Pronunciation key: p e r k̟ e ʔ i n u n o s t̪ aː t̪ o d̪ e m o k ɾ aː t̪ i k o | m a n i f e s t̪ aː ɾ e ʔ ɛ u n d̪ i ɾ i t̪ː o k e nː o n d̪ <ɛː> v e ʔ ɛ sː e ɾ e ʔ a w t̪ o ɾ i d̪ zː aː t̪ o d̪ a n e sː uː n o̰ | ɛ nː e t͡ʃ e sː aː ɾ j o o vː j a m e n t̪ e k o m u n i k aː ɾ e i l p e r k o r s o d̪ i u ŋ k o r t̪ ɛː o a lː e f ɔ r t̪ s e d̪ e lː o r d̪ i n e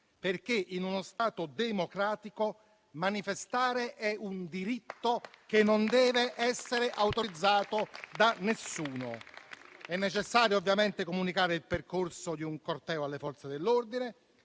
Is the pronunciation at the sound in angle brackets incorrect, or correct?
correct